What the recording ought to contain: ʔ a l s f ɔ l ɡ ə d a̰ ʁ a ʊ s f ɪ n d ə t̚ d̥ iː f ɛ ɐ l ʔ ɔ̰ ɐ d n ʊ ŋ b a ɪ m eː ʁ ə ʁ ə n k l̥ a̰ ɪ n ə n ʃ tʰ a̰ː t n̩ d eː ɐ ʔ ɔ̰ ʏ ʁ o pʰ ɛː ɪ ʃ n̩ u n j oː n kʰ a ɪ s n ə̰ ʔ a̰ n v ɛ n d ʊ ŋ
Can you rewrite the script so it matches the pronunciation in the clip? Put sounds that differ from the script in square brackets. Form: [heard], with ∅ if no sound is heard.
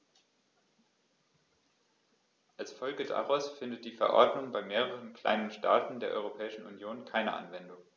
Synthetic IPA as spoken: ʔ a l s f ɔ l ɡ ə d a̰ ʁ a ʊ s f ɪ n d ə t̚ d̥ iː f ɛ ɐ [∅] ʔ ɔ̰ ɐ d n ʊ ŋ b a ɪ m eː ʁ ə ʁ ə n k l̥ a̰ ɪ n ə n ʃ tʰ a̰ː t n̩ d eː ɐ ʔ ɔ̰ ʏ ʁ o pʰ ɛː ɪ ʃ n̩ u n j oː n kʰ a ɪ [∅] n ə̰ ʔ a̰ n v ɛ n d ʊ ŋ